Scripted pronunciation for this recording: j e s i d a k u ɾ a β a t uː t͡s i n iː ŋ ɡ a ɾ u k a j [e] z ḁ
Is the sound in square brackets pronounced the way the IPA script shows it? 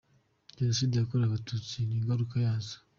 no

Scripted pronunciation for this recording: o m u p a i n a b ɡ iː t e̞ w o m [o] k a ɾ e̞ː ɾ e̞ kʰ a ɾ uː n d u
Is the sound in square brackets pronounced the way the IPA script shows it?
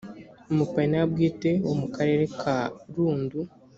no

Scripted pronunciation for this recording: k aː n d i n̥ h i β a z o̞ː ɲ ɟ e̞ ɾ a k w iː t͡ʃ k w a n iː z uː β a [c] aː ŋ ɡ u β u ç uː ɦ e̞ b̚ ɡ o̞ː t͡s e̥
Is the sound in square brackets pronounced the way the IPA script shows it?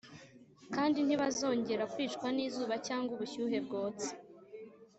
yes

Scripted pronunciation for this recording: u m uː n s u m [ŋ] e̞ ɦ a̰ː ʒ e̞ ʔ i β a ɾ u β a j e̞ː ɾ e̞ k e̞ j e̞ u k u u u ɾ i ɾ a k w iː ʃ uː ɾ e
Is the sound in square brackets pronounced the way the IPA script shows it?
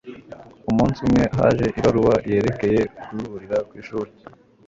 yes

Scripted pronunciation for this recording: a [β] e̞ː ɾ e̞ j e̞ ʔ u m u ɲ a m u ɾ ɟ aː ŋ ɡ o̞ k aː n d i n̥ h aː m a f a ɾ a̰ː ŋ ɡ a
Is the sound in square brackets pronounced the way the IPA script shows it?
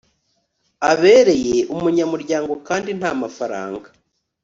yes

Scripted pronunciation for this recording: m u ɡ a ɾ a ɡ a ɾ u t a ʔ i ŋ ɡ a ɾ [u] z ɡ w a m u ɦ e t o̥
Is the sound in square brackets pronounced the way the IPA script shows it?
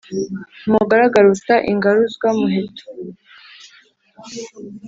yes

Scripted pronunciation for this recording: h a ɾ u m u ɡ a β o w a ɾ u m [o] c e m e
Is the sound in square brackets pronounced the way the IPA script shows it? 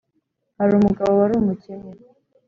no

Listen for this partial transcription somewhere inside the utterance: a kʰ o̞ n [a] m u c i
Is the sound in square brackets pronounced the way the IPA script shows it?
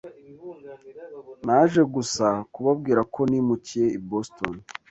no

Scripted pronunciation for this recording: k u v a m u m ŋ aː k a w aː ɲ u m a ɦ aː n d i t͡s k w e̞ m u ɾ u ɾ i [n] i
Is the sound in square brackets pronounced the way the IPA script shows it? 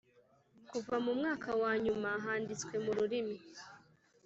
no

